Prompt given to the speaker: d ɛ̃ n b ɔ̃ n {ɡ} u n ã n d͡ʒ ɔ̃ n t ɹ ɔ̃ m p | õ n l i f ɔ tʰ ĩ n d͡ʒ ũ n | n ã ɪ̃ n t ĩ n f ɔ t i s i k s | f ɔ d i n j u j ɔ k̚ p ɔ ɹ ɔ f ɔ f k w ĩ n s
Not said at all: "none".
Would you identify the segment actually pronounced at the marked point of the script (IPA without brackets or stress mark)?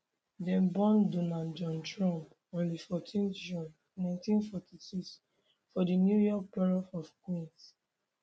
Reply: d